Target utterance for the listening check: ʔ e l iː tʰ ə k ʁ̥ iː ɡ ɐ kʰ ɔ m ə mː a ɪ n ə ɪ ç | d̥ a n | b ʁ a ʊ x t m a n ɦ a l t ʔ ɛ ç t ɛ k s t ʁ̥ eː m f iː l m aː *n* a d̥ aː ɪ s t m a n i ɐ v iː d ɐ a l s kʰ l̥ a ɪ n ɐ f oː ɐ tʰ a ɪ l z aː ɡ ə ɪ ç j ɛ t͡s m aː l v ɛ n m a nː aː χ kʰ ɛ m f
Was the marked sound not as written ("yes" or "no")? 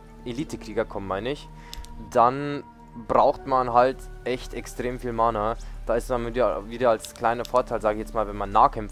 no